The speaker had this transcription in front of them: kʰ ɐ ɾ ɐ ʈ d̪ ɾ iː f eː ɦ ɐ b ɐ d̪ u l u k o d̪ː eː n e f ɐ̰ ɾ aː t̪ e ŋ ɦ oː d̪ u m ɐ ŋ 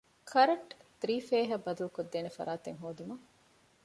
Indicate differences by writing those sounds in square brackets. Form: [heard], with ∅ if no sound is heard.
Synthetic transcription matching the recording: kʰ ɐ ɾ ɐ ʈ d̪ ɾ iː f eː ɦ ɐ b ɐ d̪ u l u k o d̪ː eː n e f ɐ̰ ɾ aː t̪ e ŋ ɦ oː d̪ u m ɐ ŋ